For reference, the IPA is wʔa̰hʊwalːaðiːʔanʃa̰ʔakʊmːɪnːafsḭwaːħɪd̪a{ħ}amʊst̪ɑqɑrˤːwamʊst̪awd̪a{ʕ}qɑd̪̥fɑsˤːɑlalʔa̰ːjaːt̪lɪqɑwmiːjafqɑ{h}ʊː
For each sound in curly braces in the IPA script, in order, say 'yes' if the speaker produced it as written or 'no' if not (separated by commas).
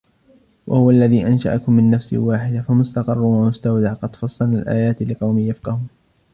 no, yes, yes